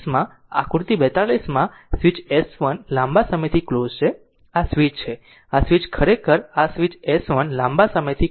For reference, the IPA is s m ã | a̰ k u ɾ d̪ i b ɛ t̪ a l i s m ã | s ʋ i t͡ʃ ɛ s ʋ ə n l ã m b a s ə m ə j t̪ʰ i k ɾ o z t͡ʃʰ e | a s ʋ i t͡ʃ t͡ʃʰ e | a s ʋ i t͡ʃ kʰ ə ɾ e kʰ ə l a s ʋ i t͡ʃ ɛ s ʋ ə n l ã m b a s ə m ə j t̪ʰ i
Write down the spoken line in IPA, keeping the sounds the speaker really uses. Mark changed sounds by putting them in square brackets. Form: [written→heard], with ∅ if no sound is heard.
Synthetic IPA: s m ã | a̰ k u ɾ [d̪→t̪] i b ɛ t̪ a l i s m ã | s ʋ i t͡ʃ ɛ s ʋ ə n l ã m b a s ə m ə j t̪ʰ i k [ɾ→l] o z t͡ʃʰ e | a s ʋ i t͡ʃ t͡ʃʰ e | a s ʋ i t͡ʃ kʰ ə ɾ e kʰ ə [l→ɾ] a s ʋ i t͡ʃ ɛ s ʋ ə n l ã m b a s ə m ə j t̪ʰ i